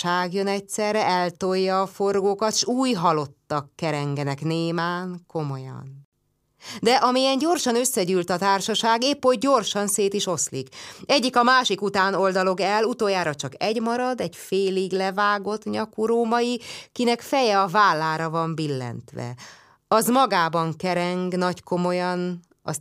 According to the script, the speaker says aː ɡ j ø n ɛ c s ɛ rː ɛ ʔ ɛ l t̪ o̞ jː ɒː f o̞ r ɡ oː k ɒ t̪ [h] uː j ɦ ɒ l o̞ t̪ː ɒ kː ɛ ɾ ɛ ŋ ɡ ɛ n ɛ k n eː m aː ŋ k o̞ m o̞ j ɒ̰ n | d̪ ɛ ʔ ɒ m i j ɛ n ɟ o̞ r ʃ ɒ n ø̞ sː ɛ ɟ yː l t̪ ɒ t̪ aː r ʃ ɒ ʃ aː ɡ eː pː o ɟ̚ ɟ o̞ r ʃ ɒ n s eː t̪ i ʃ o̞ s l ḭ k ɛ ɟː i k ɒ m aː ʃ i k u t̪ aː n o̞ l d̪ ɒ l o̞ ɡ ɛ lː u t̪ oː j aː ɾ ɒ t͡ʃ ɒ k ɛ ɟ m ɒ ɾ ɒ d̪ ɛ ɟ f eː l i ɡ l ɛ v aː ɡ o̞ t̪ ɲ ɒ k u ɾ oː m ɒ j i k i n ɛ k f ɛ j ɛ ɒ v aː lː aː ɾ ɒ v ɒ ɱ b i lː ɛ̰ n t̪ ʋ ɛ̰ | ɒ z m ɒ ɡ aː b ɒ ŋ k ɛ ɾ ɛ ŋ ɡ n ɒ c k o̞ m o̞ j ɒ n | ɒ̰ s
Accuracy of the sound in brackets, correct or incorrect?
incorrect